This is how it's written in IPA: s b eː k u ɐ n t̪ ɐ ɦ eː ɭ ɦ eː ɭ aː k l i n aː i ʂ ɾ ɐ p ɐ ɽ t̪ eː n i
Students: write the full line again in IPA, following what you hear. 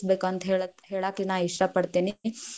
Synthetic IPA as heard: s b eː k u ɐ n t̪ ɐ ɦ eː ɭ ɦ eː ɭ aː k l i n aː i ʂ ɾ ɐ p ɐ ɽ t̪ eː n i